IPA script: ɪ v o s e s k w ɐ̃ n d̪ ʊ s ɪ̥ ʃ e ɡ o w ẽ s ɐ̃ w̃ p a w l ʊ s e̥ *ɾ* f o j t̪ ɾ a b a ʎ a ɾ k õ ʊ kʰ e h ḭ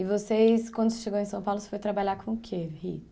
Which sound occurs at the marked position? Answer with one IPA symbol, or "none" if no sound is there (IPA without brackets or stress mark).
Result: none